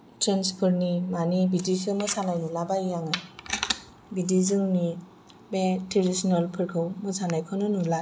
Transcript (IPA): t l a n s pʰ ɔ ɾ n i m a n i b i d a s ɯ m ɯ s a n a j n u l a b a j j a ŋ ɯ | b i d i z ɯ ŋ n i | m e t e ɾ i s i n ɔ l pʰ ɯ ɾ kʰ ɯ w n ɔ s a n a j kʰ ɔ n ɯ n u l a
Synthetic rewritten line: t ɾ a n s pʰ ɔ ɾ n i m a n i b i d i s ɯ m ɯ s a n a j n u l a b a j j a ŋ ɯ | b i d i z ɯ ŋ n i | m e t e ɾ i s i n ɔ l pʰ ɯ ɾ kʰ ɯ w m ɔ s a n a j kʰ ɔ n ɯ n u l a

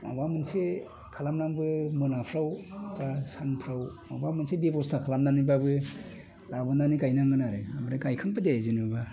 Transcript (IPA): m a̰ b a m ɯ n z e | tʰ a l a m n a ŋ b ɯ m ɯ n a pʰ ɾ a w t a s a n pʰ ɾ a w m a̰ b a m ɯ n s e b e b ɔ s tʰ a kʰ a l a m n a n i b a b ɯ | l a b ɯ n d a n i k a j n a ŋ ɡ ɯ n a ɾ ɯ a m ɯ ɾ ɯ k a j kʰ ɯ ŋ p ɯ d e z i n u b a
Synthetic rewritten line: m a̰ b a m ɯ n s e | kʰ a l a m n a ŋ b ɯ m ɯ n a pʰ ɾ a w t a s a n pʰ ɾ a w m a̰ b a m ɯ n s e b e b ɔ s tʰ a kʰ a l a m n a n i b a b ɯ | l a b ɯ n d a n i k a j n a ŋ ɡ ɯ n a ɾ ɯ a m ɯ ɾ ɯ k a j kʰ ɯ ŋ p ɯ d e z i n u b a

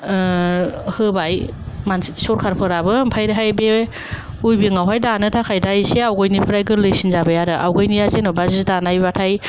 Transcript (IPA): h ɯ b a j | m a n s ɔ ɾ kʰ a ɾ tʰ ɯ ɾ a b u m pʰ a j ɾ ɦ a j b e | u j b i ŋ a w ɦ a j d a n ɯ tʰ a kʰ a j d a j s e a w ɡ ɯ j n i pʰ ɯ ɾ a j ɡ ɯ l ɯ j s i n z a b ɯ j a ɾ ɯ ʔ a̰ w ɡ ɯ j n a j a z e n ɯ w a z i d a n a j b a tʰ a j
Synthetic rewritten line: h ɯ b a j | m a n s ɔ ɾ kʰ a ɾ pʰ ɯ ɾ a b ɯ m pʰ a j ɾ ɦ a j b e | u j b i ŋ a w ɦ a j d a n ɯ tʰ a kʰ a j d a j s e a w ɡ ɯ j n i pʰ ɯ ɾ a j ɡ ɯ l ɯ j s i n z a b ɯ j a ɾ ɯ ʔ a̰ w ɡ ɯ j n i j a z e n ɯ b a z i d a n a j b a tʰ a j

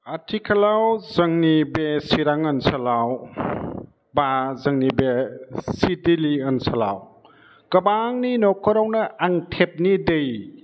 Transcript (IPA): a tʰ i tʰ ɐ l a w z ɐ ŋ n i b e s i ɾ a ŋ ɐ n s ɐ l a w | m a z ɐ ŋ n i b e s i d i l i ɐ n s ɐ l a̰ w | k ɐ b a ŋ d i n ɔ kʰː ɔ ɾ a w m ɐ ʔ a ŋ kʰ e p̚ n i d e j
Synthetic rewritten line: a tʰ i kʰ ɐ l a w z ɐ ŋ n i b e s i ɾ a ŋ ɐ n s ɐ l a w | b a z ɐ ŋ n i b e s i d i l i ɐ n s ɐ l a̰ w | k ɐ b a ŋ n i n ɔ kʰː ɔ ɾ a w n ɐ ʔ a ŋ tʰ e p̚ n i d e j

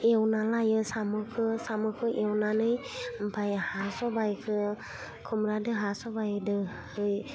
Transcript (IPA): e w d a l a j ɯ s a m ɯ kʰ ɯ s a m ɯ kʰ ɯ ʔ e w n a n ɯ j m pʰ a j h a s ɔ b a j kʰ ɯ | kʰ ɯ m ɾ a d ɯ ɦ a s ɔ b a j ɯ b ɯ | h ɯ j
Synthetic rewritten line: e w n a l a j ɯ s a m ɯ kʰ ɯ s a m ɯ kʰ ɯ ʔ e w n a n ɯ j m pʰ a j h a s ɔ b a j kʰ ɯ | kʰ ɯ m ɾ a d ɯ ɦ a s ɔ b a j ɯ d ɯ | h ɯ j

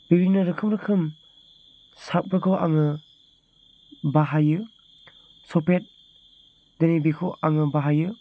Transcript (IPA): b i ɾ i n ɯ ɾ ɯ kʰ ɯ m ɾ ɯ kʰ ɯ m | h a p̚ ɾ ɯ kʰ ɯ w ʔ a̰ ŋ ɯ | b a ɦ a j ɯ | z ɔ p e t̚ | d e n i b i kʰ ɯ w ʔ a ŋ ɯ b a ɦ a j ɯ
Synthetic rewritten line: b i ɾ i n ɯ ɾ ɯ kʰ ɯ m ɾ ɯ kʰ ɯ m | s a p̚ ɾ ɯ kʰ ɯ w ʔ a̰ ŋ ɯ | b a ɦ a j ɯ | s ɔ p e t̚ | d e n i b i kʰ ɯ w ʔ a ŋ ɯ b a ɦ a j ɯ

